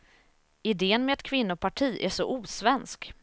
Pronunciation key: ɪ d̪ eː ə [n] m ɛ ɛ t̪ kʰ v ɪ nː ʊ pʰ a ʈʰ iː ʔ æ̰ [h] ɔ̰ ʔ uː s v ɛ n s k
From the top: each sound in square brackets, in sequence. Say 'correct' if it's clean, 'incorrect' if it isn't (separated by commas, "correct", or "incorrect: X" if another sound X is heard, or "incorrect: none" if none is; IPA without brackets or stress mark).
correct, incorrect: ʂ